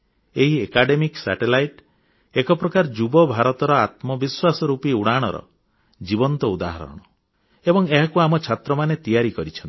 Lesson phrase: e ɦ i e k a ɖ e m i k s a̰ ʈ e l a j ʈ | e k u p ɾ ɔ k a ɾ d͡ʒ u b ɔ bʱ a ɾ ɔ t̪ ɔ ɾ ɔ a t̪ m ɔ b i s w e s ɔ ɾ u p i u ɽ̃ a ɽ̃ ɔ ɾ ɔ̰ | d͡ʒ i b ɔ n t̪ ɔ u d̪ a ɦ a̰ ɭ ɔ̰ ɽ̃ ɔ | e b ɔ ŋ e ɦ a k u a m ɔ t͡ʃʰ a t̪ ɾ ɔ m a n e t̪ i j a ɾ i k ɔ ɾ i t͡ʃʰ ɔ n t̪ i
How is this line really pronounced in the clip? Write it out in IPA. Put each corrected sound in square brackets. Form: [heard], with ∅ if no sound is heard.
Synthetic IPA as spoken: e ɦ i e k a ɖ e m i k s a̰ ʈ e l a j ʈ | e k [ɔ] p ɾ ɔ k a ɾ d͡ʒ u b ɔ bʱ a ɾ ɔ t̪ ɔ ɾ ɔ a t̪ m ɔ b i s w [a] s ɔ ɾ u p i u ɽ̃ a ɽ̃ ɔ ɾ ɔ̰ | d͡ʒ i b ɔ n t̪ ɔ u d̪ a ɦ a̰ [ɾ] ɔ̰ ɽ̃ ɔ | e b ɔ ŋ e ɦ a k u a m ɔ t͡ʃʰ a t̪ ɾ ɔ m a n e t̪ i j a ɾ i k ɔ ɾ i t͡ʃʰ ɔ n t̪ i